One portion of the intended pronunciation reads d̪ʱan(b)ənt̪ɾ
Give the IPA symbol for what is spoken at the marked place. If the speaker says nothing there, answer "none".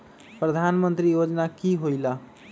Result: m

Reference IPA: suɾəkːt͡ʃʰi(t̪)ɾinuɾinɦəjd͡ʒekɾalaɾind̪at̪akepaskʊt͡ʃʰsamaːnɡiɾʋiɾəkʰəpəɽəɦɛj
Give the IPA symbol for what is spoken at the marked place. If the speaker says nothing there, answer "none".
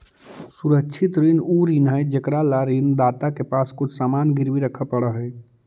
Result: t̪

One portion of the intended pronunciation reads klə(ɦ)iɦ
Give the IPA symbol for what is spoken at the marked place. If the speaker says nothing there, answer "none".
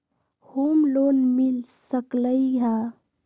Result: none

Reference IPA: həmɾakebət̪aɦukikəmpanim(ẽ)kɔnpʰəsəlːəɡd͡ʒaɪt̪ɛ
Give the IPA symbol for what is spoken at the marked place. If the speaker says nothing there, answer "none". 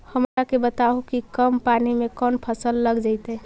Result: e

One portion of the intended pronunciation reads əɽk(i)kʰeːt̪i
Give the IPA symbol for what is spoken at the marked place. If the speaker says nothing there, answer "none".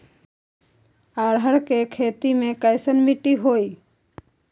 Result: e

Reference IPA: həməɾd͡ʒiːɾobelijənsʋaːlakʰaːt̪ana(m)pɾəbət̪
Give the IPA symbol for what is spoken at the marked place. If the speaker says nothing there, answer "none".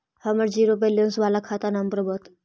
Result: m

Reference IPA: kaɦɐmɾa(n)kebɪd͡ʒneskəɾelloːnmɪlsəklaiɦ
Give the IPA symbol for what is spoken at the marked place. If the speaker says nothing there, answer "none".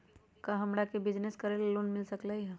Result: none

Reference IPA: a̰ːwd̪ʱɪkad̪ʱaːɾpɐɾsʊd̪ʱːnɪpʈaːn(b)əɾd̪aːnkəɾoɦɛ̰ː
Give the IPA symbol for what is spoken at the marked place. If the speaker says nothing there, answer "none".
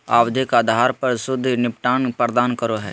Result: p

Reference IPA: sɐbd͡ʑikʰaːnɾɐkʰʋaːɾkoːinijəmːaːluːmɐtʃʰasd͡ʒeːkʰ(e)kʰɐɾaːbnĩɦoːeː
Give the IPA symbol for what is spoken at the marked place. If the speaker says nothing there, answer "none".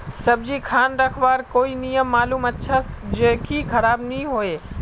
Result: i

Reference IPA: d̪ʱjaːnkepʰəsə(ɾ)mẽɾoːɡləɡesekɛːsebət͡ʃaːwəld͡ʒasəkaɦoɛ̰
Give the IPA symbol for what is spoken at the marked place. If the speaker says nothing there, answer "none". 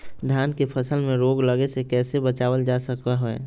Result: l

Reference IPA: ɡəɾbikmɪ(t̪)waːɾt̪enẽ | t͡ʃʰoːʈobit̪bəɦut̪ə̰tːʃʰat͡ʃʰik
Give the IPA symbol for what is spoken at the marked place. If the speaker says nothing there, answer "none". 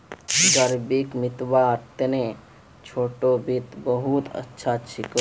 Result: t̪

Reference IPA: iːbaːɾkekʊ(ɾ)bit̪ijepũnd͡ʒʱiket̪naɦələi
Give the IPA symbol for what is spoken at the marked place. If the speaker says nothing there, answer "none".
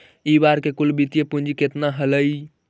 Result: l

